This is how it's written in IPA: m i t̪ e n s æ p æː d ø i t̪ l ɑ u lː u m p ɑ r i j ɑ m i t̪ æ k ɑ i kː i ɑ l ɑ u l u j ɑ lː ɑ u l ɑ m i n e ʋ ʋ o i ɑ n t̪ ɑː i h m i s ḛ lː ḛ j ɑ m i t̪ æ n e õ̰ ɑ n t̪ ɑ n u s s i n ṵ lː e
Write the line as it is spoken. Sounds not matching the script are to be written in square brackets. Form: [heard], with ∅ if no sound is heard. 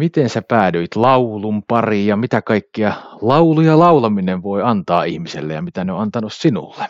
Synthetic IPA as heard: m i t̪ e n s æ p æː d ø i t̪ l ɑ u [l] u m p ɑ r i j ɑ m i t̪ æ k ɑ i kː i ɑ l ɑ u l u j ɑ [l] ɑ u l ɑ m i n e ʋ ʋ o i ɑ n t̪ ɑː i h m i s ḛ lː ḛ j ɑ m i t̪ æ n e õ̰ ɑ n t̪ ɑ n u s s i n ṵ lː e